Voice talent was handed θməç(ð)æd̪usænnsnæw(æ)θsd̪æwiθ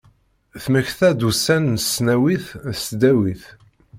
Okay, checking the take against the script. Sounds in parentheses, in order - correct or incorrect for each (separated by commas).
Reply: incorrect, incorrect